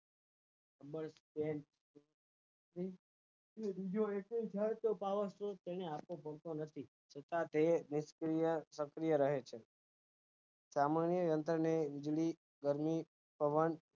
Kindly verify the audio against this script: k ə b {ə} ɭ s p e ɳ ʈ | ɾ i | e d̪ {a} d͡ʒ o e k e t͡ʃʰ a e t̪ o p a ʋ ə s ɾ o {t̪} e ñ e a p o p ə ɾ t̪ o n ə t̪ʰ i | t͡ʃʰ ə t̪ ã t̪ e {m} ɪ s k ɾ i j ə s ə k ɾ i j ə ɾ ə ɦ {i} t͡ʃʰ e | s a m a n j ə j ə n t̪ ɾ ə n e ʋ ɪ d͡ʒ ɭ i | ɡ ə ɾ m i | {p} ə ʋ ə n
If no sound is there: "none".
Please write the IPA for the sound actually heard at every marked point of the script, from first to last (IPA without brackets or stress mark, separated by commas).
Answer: ə, i, t̪, n, e, p